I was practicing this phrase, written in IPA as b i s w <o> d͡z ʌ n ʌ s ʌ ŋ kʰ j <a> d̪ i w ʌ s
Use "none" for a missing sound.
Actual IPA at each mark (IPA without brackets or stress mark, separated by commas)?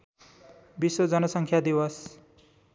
o, a